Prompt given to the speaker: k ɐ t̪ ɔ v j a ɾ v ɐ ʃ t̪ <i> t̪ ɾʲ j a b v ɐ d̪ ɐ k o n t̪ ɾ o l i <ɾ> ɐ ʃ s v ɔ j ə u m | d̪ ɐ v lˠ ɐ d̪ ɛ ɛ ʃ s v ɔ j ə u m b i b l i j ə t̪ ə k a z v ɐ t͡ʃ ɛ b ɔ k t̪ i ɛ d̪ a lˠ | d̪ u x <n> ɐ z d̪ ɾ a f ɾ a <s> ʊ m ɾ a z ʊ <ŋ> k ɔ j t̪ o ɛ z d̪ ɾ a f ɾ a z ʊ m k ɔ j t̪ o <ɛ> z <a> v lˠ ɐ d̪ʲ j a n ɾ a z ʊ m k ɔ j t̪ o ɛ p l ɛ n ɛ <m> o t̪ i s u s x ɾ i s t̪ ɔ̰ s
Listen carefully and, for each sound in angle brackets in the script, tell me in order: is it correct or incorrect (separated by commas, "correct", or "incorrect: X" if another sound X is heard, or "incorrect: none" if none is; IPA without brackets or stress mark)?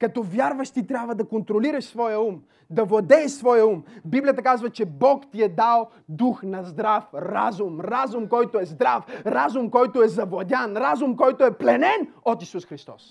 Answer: correct, correct, correct, incorrect: z, incorrect: m, correct, incorrect: ɐ, incorrect: n